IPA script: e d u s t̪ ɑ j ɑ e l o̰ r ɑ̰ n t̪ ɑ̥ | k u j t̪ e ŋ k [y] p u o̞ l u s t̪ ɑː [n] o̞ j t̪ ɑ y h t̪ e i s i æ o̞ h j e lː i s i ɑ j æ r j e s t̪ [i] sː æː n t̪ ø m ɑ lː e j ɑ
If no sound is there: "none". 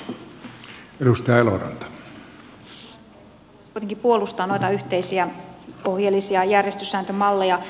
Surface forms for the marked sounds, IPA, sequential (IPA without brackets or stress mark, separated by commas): i, n, y